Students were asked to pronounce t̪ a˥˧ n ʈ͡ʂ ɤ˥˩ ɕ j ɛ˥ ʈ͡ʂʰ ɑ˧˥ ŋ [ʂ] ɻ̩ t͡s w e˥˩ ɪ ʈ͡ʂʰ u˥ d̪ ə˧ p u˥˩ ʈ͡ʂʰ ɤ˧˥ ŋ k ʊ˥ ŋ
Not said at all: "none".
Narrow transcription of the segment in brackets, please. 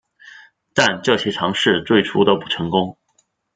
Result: ʂ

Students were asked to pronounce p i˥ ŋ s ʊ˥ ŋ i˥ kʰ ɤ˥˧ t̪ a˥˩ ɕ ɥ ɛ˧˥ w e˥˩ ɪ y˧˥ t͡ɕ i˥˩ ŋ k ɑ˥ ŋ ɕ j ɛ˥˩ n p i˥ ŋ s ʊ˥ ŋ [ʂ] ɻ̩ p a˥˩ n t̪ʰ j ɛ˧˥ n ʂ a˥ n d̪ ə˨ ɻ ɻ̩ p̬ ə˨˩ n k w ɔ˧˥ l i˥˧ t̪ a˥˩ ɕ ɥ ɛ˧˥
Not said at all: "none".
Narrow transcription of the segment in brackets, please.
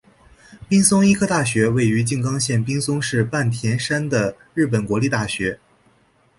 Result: ʂ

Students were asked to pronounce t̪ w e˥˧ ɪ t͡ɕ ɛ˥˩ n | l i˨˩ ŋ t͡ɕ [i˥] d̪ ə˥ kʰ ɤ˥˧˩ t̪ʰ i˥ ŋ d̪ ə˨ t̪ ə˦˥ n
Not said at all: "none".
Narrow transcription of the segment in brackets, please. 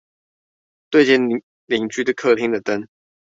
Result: y˥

